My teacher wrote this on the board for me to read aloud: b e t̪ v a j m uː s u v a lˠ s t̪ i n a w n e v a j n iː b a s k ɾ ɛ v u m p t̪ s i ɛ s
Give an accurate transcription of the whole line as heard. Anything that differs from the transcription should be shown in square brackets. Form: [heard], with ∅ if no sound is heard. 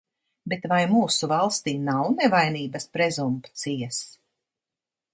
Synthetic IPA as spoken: b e t̪ v a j m uː s u v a lˠ s t̪ [iː] n a w n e v a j n iː b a s [p] ɾ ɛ [z] u m p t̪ s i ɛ s